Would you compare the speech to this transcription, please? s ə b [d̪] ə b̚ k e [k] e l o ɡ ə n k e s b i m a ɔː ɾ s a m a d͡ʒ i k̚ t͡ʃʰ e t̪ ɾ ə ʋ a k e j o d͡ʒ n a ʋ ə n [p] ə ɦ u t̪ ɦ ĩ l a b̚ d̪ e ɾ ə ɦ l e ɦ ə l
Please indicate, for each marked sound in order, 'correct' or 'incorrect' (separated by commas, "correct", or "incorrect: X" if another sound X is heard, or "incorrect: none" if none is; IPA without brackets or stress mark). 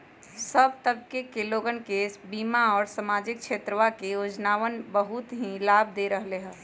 incorrect: t̪, correct, incorrect: b